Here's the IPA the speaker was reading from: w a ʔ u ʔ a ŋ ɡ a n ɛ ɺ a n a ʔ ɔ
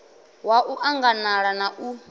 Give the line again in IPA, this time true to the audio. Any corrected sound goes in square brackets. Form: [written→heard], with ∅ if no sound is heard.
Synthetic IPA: w a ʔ u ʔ a ŋ ɡ a n [ɛ→a] ɺ a n a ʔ [ɔ→u]